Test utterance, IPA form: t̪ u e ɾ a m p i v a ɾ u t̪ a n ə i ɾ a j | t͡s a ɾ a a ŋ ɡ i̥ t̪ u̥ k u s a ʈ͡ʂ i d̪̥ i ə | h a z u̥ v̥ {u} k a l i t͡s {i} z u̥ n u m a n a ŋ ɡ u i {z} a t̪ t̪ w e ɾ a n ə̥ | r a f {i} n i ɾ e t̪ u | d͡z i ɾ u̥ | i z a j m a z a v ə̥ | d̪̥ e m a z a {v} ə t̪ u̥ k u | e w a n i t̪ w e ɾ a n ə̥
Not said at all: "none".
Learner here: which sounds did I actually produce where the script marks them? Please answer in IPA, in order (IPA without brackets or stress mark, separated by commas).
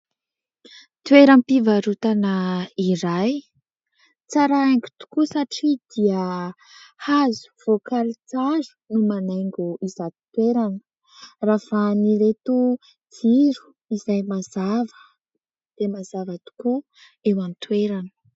o, a, z, a, v